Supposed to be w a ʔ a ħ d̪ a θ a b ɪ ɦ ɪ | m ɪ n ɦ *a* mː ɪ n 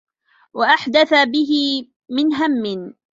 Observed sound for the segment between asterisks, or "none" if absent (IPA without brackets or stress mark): a